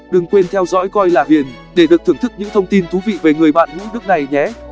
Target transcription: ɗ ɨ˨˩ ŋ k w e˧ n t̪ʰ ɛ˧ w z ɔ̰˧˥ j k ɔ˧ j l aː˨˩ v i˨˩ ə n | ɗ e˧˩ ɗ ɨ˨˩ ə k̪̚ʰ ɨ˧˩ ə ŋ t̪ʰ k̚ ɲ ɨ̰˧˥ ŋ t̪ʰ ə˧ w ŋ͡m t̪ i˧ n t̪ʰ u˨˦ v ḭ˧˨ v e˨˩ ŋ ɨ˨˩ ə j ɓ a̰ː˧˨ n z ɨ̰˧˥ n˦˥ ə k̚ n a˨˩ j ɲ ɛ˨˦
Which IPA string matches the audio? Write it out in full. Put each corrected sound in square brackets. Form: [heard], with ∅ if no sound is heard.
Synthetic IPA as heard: ɗ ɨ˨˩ ŋ k w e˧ n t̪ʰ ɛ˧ w z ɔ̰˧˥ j k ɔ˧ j l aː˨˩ v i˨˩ ə n | ɗ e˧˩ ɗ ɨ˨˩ ə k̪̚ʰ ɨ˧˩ ə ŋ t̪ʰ k̚ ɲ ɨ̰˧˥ ŋ t̪ʰ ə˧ w ŋ͡m t̪ i˧ n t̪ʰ u˨˦ v ḭ˧˨ v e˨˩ ŋ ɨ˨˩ ə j ɓ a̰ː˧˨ n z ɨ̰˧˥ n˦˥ ə k̚ n a˨˩ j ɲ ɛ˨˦